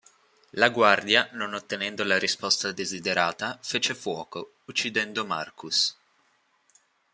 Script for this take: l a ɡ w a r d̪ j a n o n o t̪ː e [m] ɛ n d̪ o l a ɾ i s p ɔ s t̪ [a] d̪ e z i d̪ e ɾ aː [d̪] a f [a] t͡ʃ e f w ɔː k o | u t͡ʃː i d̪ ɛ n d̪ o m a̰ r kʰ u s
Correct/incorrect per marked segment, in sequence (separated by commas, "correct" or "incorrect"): incorrect, correct, incorrect, incorrect